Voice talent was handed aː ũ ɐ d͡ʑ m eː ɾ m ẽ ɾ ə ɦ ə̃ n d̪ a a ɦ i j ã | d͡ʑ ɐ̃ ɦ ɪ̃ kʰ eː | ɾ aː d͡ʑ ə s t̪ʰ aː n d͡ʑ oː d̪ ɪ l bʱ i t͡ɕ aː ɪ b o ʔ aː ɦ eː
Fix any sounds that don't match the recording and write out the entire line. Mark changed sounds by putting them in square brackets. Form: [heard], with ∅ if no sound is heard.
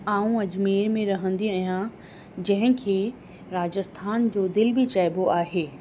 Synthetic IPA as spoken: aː ũ ɐ d͡ʑ m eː ɾ m ẽ ɾ [ɐ] ɦ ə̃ n d̪ [i] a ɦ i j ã | d͡ʑ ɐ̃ ɦ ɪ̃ kʰ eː | ɾ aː d͡ʑ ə s t̪ʰ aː n d͡ʑ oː d̪ ɪ l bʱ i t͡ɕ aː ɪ b o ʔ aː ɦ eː